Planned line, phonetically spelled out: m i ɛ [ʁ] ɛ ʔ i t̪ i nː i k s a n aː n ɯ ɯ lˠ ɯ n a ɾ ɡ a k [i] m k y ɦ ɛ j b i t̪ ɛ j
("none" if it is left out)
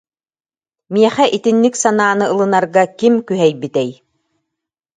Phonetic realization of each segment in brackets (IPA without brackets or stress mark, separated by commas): χ, i